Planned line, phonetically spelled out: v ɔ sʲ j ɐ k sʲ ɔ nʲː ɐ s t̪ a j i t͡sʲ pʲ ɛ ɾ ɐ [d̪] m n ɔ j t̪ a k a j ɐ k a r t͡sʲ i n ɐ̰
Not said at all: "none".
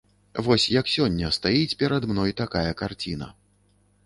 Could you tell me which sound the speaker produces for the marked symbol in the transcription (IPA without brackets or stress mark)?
d̪